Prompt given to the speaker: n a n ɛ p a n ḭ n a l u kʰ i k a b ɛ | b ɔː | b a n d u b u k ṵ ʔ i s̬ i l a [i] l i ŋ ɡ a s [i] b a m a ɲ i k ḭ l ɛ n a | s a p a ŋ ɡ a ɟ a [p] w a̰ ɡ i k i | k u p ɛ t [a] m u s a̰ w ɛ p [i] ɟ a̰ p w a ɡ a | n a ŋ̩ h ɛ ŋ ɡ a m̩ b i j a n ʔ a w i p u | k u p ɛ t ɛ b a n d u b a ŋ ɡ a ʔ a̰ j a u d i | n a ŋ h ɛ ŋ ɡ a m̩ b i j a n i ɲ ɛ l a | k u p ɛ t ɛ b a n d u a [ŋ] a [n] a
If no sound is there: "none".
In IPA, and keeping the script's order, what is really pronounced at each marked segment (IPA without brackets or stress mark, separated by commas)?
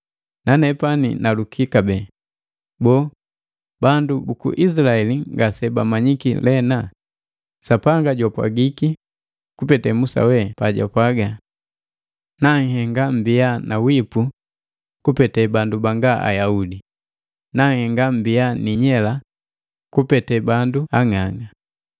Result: ɛ, ɛ, p, ɛ, a, ŋ, ŋ